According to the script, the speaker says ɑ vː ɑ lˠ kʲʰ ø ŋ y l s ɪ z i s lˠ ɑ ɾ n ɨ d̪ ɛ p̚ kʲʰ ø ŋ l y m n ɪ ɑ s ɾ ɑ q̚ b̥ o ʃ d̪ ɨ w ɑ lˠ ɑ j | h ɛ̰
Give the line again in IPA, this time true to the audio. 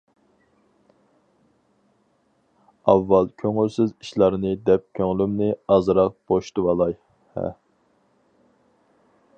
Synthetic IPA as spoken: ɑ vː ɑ lˠ kʲʰ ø ŋ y l s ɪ z i ʃ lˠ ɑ ɾ n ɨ d̪ ɛ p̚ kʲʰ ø ŋ l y m n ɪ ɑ z ɾ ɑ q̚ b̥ o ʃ t̪ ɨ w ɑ lˠ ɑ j | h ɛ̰